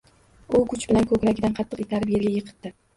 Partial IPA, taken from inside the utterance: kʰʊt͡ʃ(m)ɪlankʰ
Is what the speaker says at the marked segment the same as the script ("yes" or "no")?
no